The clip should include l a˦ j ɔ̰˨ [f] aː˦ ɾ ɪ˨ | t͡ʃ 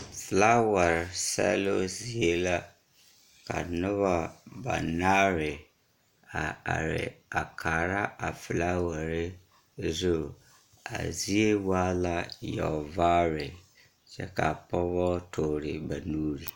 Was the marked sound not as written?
yes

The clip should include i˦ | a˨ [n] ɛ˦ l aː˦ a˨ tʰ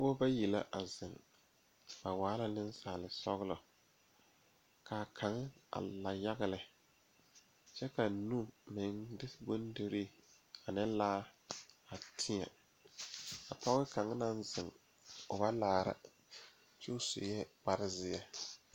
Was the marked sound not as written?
no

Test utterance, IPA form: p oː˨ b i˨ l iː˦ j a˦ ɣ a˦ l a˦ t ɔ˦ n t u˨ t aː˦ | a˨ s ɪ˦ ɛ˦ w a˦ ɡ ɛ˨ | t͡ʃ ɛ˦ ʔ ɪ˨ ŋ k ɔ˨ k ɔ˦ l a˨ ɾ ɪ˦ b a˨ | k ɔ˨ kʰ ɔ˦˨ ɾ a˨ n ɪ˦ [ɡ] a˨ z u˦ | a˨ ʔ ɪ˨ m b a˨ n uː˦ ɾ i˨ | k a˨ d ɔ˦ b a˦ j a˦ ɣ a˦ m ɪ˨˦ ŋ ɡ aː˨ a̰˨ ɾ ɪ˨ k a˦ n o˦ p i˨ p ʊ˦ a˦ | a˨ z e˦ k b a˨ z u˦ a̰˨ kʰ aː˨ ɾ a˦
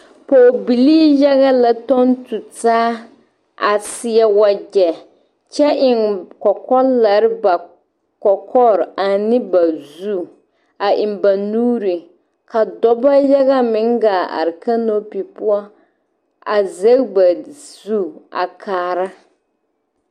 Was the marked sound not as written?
yes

